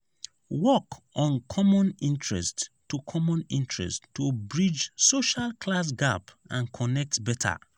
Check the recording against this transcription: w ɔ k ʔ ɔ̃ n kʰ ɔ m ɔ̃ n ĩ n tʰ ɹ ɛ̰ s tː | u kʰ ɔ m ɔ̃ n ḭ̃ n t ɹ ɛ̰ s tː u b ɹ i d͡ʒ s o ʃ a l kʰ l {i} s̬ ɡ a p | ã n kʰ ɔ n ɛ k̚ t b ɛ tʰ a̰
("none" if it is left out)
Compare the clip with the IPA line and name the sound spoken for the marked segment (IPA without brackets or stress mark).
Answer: a